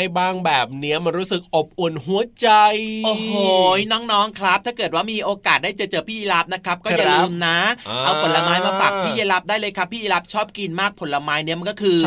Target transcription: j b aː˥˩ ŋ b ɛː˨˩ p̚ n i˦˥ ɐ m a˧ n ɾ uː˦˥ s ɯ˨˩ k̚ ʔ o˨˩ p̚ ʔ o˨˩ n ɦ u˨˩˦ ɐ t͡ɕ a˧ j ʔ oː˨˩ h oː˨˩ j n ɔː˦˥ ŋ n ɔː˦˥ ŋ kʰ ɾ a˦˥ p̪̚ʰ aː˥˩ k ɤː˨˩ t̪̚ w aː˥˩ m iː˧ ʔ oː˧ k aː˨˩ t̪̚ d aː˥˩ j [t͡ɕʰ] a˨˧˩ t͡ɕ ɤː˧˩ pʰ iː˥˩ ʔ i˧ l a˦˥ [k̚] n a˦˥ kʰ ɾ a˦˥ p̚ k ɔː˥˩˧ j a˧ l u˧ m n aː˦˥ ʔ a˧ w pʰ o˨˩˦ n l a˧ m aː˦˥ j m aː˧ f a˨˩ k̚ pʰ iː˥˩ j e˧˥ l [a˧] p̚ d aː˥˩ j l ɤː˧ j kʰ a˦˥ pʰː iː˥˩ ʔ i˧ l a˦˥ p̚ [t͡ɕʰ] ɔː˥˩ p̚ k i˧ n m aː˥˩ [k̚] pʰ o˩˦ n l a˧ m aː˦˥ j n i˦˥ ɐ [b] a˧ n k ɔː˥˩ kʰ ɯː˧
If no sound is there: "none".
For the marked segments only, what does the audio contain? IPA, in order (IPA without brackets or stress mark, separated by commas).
t͡ɕ, p̚, a˦˥, t͡ɕʰ, k̚, m